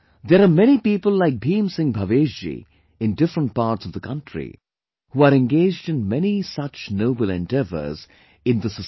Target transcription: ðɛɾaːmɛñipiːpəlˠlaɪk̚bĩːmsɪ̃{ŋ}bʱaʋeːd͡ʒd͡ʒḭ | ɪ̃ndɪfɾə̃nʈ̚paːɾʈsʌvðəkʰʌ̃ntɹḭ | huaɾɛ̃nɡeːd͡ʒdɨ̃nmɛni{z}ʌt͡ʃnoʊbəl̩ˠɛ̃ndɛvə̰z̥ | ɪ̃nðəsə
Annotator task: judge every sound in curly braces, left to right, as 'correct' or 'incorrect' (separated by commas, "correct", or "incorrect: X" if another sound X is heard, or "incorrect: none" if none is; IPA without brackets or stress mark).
correct, incorrect: s